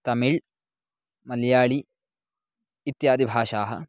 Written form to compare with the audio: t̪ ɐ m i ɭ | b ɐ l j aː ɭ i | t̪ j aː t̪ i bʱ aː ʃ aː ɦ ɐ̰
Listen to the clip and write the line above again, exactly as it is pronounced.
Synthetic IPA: t̪ ɐ m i ɭ | m ɐ l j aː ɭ i | t̪ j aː d̪ i bʱ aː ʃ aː ɦ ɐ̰